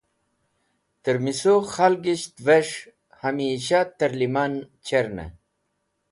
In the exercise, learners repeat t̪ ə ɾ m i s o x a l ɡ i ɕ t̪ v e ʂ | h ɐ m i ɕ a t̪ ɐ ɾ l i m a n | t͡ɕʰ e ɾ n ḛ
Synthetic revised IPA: t̪ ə ɾ m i s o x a l ɡ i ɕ t̪ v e ʂ | h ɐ m i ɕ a t̪ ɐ ɾ l i m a n | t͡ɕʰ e ɾ n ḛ